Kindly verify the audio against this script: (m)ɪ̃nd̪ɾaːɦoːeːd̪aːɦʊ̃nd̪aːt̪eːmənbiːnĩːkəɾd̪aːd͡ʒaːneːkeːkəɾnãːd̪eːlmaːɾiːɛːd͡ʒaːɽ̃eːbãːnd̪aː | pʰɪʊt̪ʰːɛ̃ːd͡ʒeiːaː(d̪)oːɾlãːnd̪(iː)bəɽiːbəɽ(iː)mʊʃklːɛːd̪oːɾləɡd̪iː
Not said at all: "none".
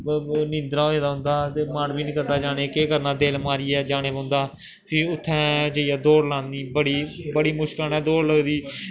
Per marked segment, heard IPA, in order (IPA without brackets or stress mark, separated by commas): n, d̪, iː, iː